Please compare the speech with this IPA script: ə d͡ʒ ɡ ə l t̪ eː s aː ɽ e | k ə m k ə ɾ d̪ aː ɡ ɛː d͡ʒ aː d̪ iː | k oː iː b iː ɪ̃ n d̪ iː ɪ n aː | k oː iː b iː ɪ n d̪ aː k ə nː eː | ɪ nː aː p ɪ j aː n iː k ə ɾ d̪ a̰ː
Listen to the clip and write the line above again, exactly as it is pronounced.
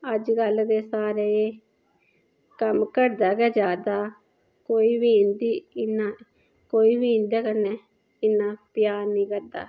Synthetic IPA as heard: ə d͡ʒ ɡ ə l d̪ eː s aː ɾ e | k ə m k ə ɾ d̪ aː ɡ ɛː d͡ʒ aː d̪ aː | k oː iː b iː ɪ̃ n d̪ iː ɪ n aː | k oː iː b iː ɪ n d̪ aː k ə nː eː | ɪ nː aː p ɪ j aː n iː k ə ɾ d̪ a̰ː

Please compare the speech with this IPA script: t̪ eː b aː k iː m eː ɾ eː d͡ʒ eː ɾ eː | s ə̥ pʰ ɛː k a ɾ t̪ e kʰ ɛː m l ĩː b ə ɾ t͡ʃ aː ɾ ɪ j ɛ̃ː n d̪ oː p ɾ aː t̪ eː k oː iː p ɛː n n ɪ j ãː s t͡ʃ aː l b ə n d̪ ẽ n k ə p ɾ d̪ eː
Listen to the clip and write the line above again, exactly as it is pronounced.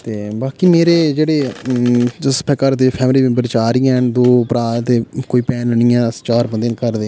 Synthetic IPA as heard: t̪ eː b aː k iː m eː ɾ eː d͡ʒ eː ɽ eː | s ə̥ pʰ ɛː k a ɾ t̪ e pʰ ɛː m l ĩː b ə ɾ t͡ʃ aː ɾ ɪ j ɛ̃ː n d̪ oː p ɾ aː t̪ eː k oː iː p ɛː n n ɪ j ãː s t͡ʃ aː ɾ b ə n d̪ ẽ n k ə ɾ d̪ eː

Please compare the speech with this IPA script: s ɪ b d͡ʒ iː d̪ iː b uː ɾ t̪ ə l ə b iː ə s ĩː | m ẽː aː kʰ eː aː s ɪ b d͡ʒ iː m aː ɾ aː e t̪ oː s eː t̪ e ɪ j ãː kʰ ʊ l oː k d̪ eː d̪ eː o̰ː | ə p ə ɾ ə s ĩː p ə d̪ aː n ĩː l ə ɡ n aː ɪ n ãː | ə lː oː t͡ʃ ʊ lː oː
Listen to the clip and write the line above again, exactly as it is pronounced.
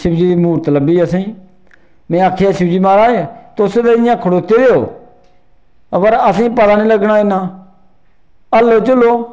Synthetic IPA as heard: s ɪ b d͡ʒ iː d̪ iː m uː ɾ t̪ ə l ə b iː ə s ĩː | m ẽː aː kʰ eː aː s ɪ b d͡ʒ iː m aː ɾ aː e t̪ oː s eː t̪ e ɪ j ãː kʰ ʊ ɽ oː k t̪ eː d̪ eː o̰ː | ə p ə ɾ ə s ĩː p ə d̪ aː n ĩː l ə ɡ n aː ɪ n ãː | ə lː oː t͡ʃ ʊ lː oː

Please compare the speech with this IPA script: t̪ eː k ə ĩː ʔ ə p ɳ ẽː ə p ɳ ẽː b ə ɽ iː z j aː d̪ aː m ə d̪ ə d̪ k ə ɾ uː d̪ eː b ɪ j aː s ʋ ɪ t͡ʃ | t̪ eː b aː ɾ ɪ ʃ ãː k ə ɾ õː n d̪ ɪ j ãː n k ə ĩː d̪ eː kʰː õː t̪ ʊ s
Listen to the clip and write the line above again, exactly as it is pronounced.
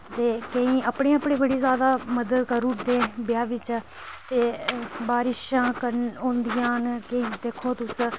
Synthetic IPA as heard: t̪ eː k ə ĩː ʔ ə p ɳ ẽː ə p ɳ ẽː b ə ɽ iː z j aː d̪ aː m ə d̪ ə d̪ k ə ɾ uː d̪ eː b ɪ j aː ʋ ɪ t͡ʃ | t̪ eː b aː ɾ ɪ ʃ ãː k ə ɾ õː n d̪ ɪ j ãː n k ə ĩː d̪ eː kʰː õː t̪ ʊ s

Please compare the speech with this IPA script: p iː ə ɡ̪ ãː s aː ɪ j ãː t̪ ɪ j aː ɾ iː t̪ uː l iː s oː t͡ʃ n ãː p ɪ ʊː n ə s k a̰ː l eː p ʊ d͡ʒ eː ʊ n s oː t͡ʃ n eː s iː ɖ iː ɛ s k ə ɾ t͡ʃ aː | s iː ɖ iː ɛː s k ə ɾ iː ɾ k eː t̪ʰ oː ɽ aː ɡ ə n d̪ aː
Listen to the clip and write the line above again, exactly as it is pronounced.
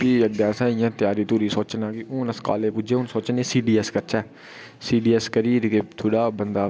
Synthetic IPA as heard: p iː ə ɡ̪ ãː s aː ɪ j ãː t̪ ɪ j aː ɾ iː t̪ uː ɾ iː s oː t͡ʃ n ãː k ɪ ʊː n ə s k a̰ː l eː p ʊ d͡ʒ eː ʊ n s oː t͡ʃ n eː s iː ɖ iː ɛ s k ə ɾ t͡ʃ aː | s iː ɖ iː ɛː s k ə ɾ iː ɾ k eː t̪ʰ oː ɽ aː b ə n d̪ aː

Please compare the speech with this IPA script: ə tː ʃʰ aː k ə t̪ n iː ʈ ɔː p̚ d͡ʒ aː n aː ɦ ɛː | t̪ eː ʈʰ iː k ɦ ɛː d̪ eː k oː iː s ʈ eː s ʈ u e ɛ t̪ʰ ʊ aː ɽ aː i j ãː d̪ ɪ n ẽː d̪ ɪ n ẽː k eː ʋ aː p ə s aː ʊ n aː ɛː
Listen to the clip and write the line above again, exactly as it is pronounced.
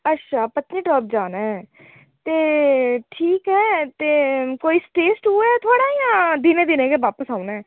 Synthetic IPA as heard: ə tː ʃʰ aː p ə t̪ n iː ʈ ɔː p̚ d͡ʒ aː n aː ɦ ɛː | t̪ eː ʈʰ iː k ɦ ɛː t̪ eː k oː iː s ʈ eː s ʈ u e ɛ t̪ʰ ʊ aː ɽ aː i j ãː d̪ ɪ n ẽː d̪ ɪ n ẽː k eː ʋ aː p ə s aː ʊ n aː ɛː

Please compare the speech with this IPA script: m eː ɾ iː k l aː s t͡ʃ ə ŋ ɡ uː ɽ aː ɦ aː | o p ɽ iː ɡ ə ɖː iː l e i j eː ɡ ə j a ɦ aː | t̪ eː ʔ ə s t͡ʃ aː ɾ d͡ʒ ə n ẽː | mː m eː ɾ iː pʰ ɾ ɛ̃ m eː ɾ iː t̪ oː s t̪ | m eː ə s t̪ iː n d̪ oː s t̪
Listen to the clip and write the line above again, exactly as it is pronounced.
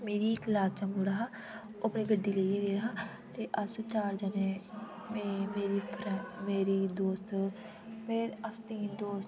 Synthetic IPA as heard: m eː ɾ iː k l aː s t͡ʃ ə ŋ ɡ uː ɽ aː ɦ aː | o p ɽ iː ɡ ə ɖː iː l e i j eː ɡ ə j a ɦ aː | t̪ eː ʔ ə s t͡ʃ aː ɾ d͡ʒ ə n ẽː | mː m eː ɾ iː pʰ ɾ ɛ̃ m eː ɾ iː d̪ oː s t̪ | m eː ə s t̪ iː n d̪ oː s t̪

